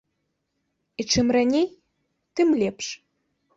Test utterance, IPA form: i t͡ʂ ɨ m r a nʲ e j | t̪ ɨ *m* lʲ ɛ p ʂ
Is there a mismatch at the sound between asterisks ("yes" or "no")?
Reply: no